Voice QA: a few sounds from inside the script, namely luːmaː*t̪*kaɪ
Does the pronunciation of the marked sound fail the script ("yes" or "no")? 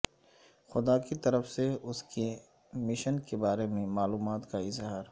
no